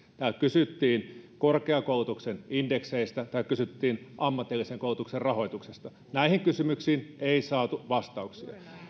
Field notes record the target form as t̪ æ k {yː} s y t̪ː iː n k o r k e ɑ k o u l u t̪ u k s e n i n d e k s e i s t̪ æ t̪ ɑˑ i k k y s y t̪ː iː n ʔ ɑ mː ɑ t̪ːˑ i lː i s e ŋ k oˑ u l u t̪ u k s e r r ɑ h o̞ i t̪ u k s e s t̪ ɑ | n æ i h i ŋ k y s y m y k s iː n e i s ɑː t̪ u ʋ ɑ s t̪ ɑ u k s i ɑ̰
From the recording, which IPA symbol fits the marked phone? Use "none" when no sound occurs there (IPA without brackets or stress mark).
y